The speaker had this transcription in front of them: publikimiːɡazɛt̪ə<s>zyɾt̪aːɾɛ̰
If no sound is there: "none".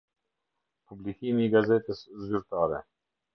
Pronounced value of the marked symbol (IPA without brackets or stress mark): s